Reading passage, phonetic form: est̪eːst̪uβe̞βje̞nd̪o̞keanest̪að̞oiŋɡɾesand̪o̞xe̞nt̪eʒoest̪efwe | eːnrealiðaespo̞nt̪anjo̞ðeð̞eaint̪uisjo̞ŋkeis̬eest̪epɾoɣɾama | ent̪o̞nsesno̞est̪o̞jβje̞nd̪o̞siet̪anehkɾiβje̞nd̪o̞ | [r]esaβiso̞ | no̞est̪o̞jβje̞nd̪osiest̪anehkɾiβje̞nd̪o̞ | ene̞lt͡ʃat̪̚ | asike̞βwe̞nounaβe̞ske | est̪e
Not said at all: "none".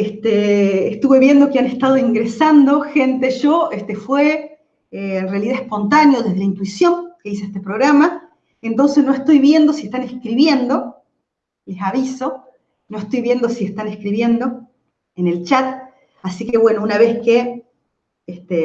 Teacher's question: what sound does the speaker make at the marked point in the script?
l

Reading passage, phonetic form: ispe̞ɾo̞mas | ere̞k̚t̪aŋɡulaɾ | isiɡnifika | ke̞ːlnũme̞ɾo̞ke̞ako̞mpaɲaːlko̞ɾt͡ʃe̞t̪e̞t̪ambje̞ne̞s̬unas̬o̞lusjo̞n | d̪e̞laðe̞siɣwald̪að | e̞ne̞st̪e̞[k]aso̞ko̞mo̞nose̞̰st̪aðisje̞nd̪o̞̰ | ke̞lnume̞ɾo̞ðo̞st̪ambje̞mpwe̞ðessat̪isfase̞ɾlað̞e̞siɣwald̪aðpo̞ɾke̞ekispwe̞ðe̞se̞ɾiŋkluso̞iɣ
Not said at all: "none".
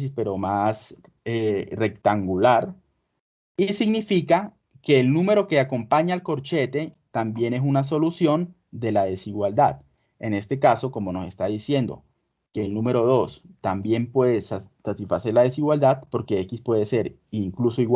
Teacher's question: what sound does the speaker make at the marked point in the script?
k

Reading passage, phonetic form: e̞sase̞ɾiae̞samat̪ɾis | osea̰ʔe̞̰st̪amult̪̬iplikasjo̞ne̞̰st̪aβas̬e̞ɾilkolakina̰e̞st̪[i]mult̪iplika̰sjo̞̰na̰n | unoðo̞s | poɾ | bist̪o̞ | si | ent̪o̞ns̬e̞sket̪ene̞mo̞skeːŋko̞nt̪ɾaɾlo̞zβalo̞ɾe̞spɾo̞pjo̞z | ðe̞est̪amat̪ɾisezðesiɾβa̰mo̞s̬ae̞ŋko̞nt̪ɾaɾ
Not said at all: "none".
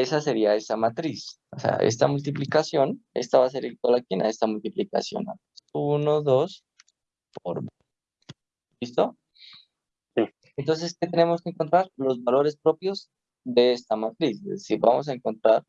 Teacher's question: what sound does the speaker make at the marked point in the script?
a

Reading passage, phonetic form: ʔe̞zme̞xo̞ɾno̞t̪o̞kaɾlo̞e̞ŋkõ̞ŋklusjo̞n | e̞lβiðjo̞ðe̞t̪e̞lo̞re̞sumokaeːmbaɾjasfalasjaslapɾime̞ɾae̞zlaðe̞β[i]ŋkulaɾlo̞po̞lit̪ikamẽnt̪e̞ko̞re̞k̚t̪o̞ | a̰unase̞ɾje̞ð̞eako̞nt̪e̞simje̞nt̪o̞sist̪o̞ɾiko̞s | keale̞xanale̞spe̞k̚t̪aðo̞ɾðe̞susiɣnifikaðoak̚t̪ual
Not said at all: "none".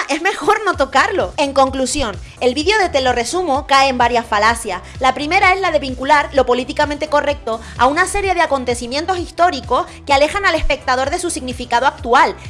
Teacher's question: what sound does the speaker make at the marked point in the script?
i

